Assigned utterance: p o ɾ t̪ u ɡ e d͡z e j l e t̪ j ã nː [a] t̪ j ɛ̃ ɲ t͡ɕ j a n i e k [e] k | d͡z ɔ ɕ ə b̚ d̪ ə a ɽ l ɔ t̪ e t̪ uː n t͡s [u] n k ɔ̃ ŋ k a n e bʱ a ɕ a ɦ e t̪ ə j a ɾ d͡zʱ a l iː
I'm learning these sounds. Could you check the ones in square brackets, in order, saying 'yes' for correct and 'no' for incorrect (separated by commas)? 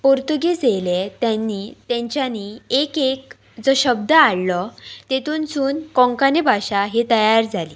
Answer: no, yes, no